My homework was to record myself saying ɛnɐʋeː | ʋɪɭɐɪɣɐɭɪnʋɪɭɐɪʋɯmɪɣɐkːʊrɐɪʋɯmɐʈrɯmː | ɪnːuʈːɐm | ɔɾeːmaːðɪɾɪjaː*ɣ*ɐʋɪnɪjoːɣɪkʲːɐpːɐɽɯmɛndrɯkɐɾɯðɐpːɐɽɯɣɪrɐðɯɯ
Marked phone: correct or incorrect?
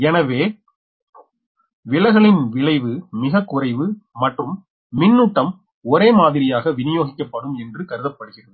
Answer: correct